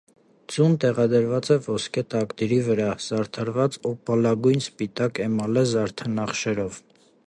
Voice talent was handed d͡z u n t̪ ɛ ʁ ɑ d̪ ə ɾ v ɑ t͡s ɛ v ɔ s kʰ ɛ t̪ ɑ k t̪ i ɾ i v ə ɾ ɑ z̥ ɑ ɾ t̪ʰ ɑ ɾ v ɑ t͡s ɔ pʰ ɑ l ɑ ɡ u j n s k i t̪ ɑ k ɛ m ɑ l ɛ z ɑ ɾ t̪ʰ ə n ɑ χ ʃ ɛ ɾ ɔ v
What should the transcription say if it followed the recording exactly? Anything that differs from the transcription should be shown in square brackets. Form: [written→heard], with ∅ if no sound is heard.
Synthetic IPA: d͡z u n t̪ ɛ ʁ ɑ d̪ ə ɾ v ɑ t͡s ɛ v ɔ s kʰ ɛ t̪ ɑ k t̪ i ɾ i v ə ɾ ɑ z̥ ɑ ɾ t̪ʰ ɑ ɾ v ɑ t͡s ɔ [pʰ→p] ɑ l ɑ ɡ u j n s [k→p] i t̪ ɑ k ɛ m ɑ l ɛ z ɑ ɾ t̪ʰ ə n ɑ χ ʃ ɛ ɾ ɔ v